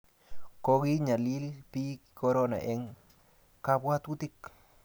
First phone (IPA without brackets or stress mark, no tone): k